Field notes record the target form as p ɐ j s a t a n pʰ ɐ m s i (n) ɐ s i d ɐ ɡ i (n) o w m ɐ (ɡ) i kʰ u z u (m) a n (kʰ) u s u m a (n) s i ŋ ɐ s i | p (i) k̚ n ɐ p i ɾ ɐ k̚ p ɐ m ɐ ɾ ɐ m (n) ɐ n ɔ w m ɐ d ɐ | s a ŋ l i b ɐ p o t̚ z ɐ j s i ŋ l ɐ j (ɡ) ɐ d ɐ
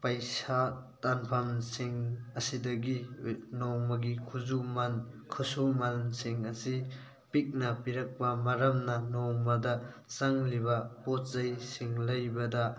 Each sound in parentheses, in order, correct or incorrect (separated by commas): incorrect, correct, correct, correct, correct, correct, correct, correct, incorrect